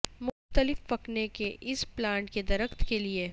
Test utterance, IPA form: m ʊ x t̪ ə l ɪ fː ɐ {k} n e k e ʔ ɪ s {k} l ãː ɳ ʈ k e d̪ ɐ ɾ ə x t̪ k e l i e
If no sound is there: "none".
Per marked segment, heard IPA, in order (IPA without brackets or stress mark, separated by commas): k, p